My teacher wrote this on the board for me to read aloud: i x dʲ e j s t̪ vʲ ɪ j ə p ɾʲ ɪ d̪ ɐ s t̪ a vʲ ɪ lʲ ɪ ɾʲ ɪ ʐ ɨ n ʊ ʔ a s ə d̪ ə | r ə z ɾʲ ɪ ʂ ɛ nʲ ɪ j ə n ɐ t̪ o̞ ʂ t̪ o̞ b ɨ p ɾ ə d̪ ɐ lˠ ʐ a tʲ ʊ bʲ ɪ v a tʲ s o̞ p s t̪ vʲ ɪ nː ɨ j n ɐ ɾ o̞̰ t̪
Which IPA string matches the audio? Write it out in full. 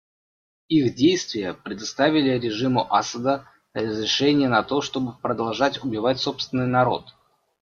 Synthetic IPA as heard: i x dʲ e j s t̪ vʲ ɪ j ə p ɾʲ ɪ d̪ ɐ s t̪ a vʲ ɪ lʲ ɪ ɾʲ ɪ ʐ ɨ m ʊ ʔ a s ə d̪ ə | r ə z ɾʲ ɪ ʂ ɛ nʲ ɪ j ə n ɐ t̪ o̞ ʂ t̪ o̞ b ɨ p ɾ ə d̪ ɐ lˠ ʐ a tʲ ʊ bʲ ɪ v a tʲ s o̞ p s t̪ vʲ ɪ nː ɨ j n ɐ ɾ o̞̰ t̪